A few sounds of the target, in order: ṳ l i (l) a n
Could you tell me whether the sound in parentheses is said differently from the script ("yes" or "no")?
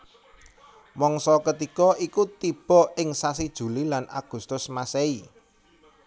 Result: no